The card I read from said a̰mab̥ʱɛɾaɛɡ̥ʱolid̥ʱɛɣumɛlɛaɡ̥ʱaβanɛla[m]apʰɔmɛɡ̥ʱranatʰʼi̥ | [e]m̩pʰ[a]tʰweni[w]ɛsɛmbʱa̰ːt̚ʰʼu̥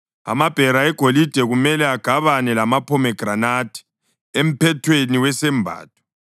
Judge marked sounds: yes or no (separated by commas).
yes, yes, no, yes